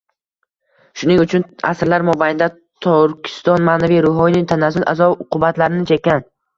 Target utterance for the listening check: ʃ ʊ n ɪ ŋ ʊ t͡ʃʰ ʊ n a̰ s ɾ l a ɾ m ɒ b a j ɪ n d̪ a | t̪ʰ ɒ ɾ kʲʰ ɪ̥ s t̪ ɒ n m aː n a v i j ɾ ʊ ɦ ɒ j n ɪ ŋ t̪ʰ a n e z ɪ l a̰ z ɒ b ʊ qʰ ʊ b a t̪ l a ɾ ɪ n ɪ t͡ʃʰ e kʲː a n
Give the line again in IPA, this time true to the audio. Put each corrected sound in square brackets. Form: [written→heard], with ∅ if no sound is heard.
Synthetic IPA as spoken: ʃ ʊ n ɪ ŋ ʊ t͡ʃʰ ʊ n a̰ s ɾ l a ɾ m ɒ b a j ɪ n d̪ a | t̪ʰ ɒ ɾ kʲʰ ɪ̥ s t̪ ɒ n m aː n a v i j ɾ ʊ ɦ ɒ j n ɪ ŋ t̪ʰ a n [e→a] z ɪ l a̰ z ɒ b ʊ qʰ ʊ b a t̪ l a ɾ ɪ n ɪ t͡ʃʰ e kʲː a n

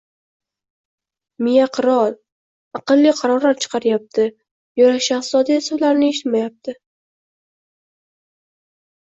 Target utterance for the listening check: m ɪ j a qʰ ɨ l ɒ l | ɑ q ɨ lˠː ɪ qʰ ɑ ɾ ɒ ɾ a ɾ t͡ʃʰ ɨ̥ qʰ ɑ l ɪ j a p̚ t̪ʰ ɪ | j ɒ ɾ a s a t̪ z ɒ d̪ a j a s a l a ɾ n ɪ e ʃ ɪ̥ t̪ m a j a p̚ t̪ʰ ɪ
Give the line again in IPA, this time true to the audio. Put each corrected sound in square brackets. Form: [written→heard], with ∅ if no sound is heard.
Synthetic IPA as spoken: m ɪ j a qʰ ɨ [l→ɾ] ɒ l | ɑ q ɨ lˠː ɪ qʰ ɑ ɾ ɒ ɾ a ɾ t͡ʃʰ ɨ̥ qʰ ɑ [l→ɾ] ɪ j a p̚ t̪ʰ ɪ | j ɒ ɾ a [s→ʃ] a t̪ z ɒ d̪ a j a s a l a ɾ n ɪ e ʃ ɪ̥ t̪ m a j a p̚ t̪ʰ ɪ

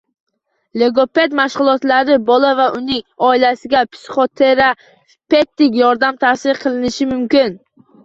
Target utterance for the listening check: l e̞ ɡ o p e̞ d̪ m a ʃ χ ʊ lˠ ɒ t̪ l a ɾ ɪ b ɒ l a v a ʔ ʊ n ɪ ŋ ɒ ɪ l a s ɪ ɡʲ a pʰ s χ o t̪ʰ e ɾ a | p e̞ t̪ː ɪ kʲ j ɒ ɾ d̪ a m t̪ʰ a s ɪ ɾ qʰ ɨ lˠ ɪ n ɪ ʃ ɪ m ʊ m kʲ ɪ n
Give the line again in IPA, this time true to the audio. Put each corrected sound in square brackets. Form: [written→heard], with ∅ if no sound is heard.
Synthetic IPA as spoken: l e̞ ɡ o p e̞ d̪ m a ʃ [χ→ʁ] ʊ lˠ ɒ t̪ l a ɾ ɪ b ɒ l a v a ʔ ʊ n ɪ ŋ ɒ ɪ l a s ɪ ɡʲ a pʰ s χ o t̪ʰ e ɾ a | p e̞ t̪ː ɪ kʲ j ɒ ɾ d̪ a m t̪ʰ a s ɪ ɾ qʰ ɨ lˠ ɪ n ɪ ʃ ɪ m ʊ m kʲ ɪ n

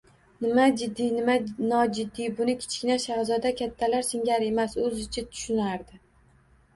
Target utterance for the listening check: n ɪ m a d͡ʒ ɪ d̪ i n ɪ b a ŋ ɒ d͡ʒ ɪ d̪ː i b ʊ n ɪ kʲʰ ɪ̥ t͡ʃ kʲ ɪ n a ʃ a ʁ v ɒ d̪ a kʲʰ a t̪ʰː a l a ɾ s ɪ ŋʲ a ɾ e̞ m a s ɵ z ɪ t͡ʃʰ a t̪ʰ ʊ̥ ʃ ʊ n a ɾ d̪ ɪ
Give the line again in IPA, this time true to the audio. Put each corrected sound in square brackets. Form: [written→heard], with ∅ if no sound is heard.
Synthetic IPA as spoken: n ɪ m a d͡ʒ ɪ [d̪→d̪ː] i n ɪ [b→m] a [ŋ→n] ɒ d͡ʒ ɪ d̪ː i b ʊ n ɪ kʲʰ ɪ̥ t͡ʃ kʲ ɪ n a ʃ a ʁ [v→z] ɒ d̪ a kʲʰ a t̪ʰː a l a ɾ s ɪ ŋʲ a ɾ e̞ m a s ɵ z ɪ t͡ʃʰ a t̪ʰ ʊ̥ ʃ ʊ n a ɾ d̪ ɪ

